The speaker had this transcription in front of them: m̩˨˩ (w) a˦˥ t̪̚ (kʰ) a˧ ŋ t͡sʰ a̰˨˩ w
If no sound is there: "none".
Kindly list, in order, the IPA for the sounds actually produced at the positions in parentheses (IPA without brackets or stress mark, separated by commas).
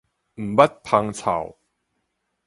b, pʰ